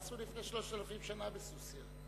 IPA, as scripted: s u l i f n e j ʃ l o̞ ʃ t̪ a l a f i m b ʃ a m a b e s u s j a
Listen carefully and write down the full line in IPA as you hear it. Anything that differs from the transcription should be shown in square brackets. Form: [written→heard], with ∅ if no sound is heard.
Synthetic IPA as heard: s u l i f n e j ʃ l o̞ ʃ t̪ a l a f i m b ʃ a [m→n] a b e s u s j a